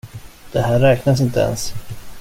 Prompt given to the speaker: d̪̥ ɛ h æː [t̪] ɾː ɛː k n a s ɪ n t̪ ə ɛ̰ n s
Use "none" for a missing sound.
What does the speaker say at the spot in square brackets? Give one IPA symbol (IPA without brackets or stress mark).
none